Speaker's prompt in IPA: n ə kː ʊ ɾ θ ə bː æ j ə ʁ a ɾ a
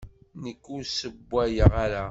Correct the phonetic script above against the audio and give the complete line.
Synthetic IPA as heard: n ə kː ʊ ɾ s ə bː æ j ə ʁ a ɾ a